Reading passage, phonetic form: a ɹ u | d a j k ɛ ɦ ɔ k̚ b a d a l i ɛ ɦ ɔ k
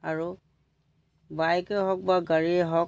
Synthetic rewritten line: a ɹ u | b a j k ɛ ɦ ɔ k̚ b a ɡ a ɹ i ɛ ɦ ɔ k